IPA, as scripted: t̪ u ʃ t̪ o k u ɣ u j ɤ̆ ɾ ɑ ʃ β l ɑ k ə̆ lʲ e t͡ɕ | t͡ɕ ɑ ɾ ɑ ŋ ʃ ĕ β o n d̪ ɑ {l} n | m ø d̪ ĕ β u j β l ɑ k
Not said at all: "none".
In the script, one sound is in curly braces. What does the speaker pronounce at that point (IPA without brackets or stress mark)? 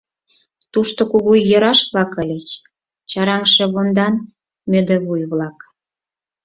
none